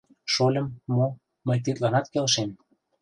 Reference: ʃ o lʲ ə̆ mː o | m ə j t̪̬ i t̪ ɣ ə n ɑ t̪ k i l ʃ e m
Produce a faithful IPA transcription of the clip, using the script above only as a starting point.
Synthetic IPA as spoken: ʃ o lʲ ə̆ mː o | m ə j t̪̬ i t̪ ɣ ɑ n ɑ t̪ k e l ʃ e m

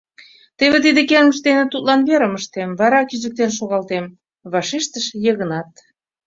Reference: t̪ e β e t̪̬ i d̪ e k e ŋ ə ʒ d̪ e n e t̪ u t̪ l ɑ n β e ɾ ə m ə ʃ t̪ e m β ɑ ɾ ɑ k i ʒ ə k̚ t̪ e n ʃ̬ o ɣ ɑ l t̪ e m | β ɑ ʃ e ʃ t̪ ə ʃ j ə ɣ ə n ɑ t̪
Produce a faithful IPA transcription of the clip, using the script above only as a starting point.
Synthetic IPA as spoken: t̪ e β e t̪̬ i d̪ e k e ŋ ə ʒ d̪ e n e t̪ u t̪ l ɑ n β e ɾ ə m ə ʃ t̪ e m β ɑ ɾ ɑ k i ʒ ə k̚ t̪ e n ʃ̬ o ɣ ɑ l t̪ e m | β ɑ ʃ e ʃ t̪ ə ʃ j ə ɣ ə n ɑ t̪

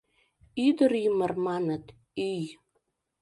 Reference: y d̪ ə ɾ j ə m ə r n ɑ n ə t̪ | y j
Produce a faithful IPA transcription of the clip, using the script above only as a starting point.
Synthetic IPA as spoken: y d̪ ə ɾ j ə m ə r m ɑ n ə t̪ | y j

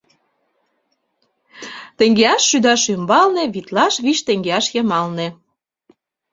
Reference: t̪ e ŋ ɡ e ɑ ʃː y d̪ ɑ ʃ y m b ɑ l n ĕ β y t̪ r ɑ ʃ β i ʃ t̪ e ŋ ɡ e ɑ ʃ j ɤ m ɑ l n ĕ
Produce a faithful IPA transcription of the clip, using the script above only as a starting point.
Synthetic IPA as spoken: t̪ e ŋ ɡ e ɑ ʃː y d̪ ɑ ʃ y m b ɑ l n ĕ β i t̪ l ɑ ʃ β i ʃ t̪ e ŋ ɡ e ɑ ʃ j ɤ m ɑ l n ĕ

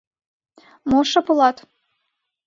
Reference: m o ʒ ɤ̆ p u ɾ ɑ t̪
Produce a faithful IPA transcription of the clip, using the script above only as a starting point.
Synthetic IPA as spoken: m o ʃ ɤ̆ p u l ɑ t̪

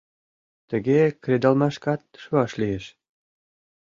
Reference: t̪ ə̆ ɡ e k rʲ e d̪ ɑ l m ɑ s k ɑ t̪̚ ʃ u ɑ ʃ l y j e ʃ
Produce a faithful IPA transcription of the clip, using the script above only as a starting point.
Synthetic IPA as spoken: t̪ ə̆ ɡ e k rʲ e d̪ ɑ l m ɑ ʃ k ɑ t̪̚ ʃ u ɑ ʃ l i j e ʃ

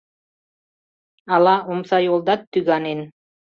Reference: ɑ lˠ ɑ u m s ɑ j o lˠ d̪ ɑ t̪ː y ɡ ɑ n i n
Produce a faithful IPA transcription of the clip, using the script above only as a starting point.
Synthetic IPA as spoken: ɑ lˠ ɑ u m s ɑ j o lˠ d̪ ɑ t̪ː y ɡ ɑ n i n

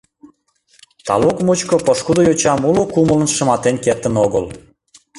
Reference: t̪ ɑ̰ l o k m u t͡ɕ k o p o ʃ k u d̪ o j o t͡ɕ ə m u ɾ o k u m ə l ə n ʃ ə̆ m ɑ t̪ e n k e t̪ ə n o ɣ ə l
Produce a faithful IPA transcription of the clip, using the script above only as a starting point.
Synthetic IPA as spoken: t̪ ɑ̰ l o k m u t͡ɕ k o p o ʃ k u d̪ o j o t͡ɕ ɑ m u l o k u m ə l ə n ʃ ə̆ m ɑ t̪ e n k e t̪ ə n o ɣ ə l

